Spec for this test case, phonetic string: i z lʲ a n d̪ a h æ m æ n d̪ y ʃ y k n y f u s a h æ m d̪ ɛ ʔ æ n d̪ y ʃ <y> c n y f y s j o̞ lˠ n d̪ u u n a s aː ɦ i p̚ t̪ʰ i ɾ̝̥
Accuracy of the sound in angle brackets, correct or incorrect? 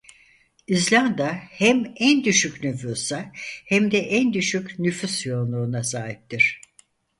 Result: correct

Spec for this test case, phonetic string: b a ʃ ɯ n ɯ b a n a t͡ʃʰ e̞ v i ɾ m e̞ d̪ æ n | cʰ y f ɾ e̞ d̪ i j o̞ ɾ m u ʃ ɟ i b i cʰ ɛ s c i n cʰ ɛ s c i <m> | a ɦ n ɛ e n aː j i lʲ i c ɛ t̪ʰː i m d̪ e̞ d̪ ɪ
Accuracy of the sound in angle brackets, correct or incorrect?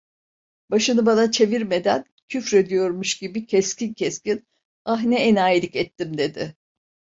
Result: incorrect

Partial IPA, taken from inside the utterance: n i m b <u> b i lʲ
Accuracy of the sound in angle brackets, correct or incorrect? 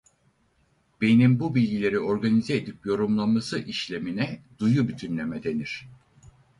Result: correct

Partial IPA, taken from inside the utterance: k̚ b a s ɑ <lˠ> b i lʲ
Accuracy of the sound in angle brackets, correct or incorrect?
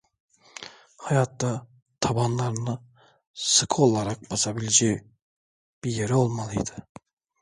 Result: incorrect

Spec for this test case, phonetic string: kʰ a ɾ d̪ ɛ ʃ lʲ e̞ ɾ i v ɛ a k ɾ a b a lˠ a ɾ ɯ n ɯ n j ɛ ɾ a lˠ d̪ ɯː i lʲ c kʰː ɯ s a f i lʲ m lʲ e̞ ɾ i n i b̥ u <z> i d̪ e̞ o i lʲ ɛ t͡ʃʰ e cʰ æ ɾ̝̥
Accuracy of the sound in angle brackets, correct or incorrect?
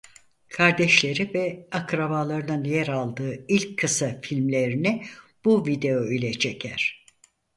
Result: incorrect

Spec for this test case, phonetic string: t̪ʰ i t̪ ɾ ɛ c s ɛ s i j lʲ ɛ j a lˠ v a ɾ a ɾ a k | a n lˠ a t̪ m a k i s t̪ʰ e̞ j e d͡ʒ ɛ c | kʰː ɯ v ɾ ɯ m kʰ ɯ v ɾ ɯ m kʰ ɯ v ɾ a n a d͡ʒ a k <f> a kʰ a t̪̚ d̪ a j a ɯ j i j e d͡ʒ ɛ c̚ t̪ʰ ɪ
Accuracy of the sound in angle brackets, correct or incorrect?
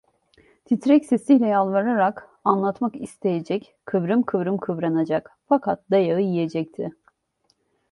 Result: correct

